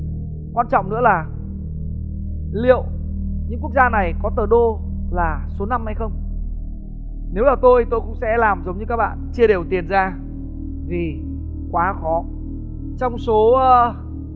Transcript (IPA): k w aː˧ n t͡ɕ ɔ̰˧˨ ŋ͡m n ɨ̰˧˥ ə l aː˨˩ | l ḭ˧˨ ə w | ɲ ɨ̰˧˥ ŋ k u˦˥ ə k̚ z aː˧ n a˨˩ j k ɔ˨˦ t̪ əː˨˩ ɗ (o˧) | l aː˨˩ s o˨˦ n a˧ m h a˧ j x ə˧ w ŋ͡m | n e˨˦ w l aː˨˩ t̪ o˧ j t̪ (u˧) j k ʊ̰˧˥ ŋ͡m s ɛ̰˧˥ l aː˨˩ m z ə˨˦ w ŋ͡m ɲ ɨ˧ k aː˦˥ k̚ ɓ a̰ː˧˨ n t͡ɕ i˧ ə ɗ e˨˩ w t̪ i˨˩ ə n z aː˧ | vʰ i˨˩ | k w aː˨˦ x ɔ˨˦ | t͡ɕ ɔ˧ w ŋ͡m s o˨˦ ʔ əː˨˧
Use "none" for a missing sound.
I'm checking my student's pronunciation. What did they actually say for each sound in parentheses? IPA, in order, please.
o˧, o˧

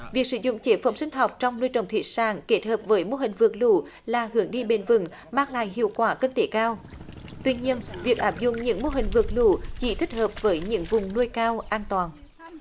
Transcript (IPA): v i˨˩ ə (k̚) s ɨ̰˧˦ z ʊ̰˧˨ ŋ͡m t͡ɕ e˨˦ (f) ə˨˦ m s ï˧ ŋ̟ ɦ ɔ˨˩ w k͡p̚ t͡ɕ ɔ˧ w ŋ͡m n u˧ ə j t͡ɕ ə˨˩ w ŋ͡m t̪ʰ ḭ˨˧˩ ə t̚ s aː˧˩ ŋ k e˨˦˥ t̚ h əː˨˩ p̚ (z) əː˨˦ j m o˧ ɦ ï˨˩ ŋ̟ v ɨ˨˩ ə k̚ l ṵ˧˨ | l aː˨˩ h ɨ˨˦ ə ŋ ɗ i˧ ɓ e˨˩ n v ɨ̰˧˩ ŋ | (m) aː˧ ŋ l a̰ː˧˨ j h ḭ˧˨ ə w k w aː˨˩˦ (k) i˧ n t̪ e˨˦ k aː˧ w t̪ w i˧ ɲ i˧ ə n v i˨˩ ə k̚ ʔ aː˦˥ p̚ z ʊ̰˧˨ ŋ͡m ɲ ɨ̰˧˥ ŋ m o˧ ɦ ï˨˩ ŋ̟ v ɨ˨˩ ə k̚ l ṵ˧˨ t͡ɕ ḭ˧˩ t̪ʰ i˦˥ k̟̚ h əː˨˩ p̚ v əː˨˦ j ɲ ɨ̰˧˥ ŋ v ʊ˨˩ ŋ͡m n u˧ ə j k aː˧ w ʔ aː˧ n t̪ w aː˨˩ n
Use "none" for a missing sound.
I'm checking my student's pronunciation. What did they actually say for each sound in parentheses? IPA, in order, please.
k̚, f, v, m, k

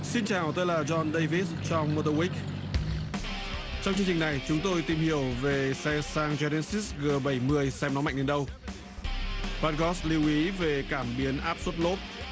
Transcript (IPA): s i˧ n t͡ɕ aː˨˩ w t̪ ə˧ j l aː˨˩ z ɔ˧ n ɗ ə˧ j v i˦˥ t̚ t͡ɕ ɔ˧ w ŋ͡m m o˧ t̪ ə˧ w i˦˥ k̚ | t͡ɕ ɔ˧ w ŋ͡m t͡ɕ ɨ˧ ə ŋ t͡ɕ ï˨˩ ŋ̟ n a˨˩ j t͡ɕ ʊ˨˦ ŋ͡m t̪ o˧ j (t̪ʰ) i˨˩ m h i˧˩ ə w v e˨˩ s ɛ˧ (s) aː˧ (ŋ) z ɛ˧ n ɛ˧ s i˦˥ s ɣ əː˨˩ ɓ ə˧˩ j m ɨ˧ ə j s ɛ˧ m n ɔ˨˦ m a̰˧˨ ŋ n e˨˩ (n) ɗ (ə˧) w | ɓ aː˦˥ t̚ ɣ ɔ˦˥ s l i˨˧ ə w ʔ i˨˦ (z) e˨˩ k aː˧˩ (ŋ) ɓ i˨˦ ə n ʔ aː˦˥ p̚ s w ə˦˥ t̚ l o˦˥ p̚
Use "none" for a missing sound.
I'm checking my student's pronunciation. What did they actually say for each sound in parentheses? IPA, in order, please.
t̪, s, ŋ, n, ə˧, v, m

